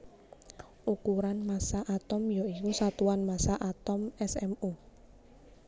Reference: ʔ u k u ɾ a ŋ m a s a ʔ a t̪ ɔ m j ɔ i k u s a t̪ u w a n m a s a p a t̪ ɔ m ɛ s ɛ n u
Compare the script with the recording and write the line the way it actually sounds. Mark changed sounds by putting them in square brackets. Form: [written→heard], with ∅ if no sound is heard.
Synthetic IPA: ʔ u k u ɾ a [ŋ→n] m a s a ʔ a t̪ ɔ m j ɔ i k u s a t̪ u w a n m a s a [p→ʔ] a t̪ ɔ m ɛ s ɛ [n→m] u